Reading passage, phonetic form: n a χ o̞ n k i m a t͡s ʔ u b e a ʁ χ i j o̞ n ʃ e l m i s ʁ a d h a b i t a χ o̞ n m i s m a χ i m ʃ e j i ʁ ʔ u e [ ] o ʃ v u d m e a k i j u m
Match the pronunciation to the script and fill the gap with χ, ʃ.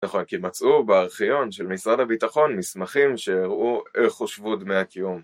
χ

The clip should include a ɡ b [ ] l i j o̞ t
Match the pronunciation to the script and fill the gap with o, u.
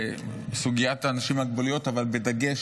o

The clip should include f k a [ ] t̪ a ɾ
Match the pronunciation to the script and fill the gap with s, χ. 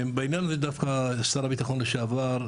s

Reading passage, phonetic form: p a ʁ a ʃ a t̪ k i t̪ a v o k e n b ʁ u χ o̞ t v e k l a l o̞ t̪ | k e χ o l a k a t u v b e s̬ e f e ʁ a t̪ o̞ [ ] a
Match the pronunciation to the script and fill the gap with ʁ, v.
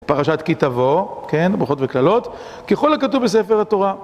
ʁ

